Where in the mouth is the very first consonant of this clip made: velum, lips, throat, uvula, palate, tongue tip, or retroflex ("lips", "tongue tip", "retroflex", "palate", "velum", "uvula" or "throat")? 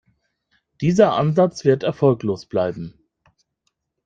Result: tongue tip